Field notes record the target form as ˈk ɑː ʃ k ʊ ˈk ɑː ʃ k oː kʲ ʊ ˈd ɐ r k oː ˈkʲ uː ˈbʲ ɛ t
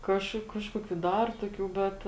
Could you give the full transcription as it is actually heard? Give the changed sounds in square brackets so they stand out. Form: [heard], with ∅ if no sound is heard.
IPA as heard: ˈk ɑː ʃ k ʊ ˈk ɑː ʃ k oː kʲ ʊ ˈd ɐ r [t] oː ˈkʲ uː ˈbʲ ɛ t

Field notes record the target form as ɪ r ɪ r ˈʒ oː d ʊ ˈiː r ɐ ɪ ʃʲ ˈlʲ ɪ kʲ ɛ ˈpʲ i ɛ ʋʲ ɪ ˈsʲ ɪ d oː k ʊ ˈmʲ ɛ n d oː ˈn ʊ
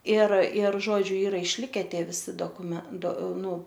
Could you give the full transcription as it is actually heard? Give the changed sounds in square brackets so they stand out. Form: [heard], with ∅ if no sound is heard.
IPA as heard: ɪ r ɪ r ˈʒ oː [d͡ʒʲ] ʊ ˈiː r ɐ ɪ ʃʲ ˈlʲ ɪ kʲ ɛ [ˈtʲ] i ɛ ʋʲ ɪ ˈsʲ ɪ d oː k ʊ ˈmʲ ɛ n d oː ˈn ʊ

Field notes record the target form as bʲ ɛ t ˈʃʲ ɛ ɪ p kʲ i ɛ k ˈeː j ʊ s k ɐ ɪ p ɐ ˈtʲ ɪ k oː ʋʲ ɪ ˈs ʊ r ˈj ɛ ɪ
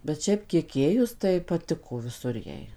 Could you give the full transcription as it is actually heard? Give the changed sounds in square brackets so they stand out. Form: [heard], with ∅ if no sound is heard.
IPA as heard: bʲ ɛ t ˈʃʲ ɛ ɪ p kʲ i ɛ k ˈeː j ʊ s [t] ɐ ɪ p ɐ ˈtʲ ɪ k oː ʋʲ ɪ ˈs ʊ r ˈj ɛ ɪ

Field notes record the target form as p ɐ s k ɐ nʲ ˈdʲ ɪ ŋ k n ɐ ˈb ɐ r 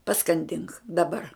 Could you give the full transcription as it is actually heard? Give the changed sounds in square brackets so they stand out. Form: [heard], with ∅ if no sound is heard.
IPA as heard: p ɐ s k ɐ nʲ ˈdʲ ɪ ŋ k [d] ɐ ˈb ɐ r

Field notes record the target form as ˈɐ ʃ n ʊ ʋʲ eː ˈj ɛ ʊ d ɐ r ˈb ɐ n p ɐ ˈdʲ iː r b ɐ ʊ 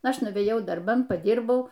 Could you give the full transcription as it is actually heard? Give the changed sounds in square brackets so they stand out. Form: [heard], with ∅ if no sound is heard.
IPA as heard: ˈɐ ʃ n ʊ ʋʲ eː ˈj ɛ ʊ d ɐ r ˈb ɐ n p ɐ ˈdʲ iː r b ɐ ʊ

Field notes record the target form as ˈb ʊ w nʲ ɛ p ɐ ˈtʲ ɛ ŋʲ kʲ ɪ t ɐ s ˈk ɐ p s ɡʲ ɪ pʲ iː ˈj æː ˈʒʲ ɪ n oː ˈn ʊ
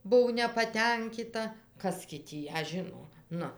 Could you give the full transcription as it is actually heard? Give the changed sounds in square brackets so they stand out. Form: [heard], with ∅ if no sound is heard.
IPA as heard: ˈb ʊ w nʲ ɛ p ɐ ˈtʲ ɛ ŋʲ kʲ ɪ t ɐ [∅] ˈk ɐ [∅] s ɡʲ ɪ [tʲ] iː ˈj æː ˈʒʲ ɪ n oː ˈn ʊ

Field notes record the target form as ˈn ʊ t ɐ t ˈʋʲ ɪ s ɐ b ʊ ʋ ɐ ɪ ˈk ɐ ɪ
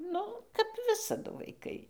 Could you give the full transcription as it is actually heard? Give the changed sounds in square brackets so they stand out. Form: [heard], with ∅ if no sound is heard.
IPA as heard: ˈn ʊ [k] ɐ [p] ˈʋʲ ɪ s ɐ [d] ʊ ʋ ɐ ɪ ˈk ɐ ɪ

